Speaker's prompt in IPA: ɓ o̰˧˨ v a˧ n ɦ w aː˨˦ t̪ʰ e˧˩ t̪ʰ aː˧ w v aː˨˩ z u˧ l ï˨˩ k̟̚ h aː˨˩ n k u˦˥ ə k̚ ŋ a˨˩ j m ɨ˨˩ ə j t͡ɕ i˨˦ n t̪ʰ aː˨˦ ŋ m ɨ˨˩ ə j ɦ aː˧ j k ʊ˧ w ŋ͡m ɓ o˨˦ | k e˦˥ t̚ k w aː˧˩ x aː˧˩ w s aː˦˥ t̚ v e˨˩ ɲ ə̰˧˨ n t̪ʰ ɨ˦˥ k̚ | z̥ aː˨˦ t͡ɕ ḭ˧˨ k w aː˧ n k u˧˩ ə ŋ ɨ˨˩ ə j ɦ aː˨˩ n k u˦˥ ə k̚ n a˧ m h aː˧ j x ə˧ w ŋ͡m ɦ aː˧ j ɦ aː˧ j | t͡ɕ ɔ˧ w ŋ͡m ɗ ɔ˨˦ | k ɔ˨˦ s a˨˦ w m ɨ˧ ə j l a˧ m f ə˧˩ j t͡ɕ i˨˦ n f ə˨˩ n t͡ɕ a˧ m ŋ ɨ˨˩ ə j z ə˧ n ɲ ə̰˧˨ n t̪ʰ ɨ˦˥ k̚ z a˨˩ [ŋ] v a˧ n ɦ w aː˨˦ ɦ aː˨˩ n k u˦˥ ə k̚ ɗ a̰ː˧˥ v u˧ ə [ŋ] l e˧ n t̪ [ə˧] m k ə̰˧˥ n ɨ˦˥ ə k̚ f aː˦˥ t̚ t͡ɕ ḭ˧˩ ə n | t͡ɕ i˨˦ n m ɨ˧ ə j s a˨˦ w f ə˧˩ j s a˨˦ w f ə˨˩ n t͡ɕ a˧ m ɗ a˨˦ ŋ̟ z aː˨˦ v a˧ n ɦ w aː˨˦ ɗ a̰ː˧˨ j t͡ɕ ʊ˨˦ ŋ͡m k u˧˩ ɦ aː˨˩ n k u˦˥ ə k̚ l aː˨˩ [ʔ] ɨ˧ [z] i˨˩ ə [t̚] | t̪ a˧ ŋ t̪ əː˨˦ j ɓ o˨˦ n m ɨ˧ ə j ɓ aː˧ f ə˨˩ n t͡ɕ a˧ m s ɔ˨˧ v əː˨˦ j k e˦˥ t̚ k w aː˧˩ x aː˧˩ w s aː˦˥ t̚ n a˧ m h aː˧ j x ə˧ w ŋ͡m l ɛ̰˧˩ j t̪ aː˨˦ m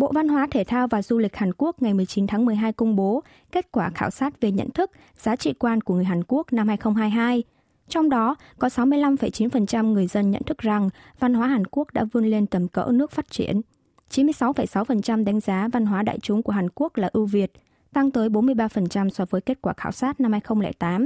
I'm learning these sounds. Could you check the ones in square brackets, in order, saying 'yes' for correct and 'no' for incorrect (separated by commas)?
yes, no, no, yes, no, yes